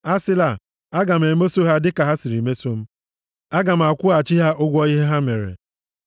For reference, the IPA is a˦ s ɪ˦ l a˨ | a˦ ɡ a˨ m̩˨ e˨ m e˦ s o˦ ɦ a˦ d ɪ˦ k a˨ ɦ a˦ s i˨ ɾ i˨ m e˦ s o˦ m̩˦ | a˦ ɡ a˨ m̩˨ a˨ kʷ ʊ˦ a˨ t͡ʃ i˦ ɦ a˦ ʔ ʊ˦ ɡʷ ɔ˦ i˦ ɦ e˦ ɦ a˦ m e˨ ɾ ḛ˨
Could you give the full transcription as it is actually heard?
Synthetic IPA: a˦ s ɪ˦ l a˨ | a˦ ɡ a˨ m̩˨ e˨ m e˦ s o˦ ɦ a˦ d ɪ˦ k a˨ ɦ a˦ s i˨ ɾ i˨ m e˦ s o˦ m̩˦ | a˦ ɡ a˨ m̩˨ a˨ kʷ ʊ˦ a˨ t͡ʃ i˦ ɦ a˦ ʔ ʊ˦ ɡʷ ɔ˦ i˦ ɦ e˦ ɦ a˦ m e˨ ɾ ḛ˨